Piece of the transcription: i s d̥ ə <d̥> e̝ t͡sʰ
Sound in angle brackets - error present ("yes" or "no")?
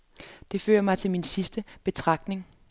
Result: yes